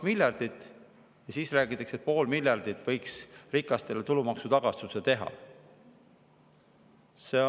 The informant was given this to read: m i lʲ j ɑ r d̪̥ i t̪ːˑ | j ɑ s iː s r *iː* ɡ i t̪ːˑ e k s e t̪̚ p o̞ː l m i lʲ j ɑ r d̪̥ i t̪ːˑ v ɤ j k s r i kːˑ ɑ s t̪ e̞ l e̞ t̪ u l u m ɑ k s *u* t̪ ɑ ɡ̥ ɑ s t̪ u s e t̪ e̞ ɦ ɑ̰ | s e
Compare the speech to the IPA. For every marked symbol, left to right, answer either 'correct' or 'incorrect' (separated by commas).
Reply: incorrect, correct